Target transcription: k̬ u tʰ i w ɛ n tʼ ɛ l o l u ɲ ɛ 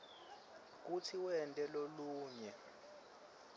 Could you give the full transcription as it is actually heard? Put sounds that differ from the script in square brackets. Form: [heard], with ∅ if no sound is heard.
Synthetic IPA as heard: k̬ u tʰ i w ɛ n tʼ ɛ l o l [uː] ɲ ɛ